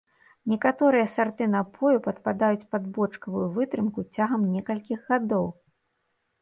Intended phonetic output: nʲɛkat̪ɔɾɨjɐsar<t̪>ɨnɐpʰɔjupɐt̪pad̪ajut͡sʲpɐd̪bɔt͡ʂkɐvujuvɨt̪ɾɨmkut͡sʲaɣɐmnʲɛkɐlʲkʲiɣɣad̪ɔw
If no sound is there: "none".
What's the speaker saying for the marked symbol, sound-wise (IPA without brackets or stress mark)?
t̪